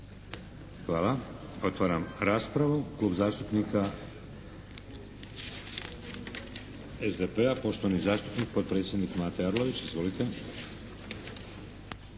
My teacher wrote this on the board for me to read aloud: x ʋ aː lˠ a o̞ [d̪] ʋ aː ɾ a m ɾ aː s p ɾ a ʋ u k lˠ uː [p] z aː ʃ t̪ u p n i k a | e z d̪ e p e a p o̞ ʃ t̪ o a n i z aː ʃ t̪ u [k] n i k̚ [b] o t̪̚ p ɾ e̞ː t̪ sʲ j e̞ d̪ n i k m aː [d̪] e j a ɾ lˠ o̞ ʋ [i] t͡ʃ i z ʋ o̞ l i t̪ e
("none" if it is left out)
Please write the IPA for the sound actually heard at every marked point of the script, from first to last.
t̪, b, p, p, t̪, i

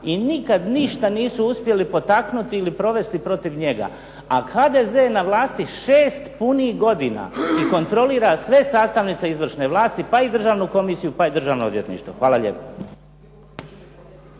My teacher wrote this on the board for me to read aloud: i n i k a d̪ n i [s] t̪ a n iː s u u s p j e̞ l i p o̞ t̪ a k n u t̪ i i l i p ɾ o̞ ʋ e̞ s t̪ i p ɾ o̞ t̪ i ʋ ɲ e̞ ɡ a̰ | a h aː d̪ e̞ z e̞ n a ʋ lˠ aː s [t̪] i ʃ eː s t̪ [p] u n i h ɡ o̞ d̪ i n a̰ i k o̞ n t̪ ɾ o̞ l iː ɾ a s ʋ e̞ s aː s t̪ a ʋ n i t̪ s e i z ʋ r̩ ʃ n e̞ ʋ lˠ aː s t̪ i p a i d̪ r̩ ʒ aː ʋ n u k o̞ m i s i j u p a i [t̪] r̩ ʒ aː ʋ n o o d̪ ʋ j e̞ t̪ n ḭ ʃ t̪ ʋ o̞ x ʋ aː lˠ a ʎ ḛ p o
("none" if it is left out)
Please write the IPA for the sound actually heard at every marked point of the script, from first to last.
ʃ, t̪, p, d̪

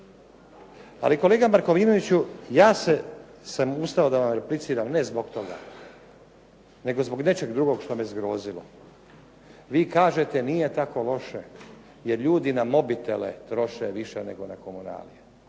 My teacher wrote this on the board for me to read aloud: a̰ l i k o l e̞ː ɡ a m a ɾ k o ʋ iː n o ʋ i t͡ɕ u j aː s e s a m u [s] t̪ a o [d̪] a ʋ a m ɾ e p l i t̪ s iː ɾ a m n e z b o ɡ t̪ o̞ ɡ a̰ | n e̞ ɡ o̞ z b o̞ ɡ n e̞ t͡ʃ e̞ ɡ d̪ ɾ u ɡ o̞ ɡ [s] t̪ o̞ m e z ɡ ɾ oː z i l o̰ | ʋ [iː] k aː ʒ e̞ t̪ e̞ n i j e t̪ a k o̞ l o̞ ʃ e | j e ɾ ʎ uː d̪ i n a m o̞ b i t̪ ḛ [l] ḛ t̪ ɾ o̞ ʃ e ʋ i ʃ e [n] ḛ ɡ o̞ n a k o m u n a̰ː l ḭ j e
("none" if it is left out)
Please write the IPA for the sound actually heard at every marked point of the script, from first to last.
s, d̪, ʃ, iː, l, n

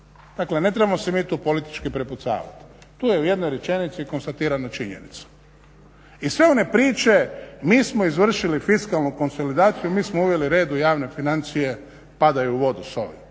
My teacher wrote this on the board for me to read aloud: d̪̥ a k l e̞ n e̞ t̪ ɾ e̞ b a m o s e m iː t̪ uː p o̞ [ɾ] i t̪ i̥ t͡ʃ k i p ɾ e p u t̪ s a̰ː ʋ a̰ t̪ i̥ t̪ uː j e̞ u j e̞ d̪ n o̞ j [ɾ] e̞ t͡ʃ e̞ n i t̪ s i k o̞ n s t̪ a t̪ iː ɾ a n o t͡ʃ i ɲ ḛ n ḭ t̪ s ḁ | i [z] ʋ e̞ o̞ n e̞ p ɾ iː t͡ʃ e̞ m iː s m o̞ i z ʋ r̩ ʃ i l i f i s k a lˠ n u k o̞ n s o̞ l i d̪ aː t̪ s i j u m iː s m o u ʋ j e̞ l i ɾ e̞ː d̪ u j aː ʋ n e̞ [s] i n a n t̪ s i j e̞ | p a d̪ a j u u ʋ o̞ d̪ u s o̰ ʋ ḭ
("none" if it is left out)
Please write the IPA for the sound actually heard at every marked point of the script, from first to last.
l, ɾ, s, f

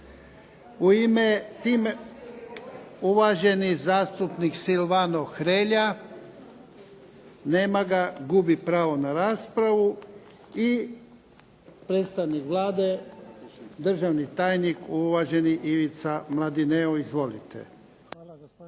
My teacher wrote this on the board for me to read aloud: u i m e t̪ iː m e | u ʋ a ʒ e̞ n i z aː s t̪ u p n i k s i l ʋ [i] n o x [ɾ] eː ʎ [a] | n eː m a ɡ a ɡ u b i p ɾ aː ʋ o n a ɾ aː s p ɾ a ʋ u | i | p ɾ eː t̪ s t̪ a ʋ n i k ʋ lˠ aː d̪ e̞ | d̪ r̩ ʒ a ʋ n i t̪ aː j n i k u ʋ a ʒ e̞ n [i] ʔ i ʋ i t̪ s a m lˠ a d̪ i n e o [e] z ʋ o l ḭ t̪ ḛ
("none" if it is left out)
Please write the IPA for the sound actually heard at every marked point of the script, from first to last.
a, ɾ, a, i, i

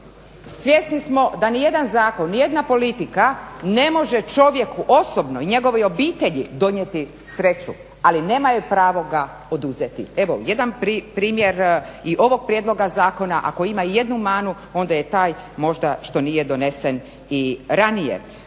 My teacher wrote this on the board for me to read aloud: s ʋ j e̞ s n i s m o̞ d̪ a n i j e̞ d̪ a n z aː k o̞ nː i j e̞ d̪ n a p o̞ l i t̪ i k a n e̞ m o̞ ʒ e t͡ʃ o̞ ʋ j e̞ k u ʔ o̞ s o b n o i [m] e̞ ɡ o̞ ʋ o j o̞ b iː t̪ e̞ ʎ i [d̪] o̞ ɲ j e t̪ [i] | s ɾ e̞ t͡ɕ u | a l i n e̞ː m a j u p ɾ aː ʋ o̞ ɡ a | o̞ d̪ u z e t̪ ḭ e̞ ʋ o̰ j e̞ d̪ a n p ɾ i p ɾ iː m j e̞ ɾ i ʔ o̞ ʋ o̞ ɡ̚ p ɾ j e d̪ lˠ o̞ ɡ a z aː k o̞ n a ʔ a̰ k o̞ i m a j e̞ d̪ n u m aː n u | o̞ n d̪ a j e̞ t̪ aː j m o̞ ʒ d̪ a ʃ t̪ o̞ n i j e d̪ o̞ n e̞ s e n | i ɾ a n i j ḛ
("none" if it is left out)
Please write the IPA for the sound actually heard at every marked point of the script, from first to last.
ɲ, d̪, i

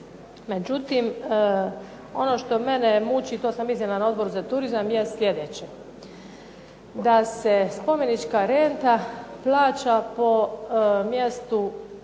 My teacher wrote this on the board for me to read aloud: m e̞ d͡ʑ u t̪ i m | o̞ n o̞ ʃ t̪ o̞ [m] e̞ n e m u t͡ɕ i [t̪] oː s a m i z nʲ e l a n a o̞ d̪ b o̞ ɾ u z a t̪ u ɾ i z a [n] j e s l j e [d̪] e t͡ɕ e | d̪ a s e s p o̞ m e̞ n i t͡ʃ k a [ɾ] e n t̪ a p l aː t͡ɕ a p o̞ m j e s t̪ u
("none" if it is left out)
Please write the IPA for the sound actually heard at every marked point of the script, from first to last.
m, t̪, m, d̪, ɾ

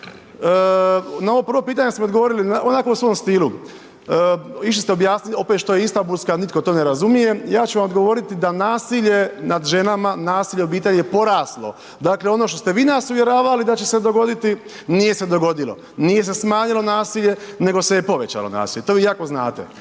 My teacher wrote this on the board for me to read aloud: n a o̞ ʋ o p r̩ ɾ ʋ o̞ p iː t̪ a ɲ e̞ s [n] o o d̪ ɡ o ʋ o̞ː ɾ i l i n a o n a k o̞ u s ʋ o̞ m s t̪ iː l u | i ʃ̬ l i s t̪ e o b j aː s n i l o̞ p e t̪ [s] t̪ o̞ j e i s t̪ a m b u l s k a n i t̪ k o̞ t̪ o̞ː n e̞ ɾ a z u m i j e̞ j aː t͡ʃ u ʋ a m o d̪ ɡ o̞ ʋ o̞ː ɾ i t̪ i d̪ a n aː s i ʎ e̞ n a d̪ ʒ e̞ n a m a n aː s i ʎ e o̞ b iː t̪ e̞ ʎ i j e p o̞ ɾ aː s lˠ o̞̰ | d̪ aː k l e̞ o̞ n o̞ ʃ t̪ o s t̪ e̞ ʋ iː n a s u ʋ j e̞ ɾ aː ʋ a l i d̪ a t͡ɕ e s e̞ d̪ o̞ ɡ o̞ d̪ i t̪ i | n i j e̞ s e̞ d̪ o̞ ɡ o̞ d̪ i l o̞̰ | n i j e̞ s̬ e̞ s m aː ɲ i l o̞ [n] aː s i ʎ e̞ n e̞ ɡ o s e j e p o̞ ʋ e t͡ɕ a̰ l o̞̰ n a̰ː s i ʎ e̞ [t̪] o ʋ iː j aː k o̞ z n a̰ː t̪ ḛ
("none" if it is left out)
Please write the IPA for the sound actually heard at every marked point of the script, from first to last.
m, ʃ, n, t̪

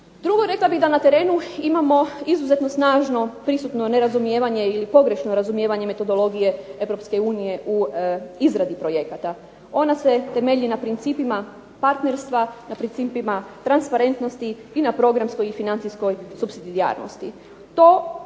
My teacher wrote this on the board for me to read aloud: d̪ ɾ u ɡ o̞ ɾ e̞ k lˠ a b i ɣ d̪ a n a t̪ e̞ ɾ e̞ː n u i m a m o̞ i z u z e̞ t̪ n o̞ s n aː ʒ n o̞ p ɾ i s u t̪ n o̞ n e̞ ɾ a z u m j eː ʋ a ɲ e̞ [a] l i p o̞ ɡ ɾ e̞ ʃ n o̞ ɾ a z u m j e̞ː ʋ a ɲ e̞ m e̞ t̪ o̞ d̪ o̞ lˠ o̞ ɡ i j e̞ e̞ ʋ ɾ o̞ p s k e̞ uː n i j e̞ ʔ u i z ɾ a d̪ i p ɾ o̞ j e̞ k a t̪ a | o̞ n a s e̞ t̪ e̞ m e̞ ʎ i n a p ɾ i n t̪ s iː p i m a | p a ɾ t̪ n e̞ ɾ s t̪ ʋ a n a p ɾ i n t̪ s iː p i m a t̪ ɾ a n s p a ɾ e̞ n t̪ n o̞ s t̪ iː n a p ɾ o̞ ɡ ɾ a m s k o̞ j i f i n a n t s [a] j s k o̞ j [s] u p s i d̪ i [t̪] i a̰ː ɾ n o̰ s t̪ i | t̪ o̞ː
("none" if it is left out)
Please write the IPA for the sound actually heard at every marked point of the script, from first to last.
i, i, s, d̪

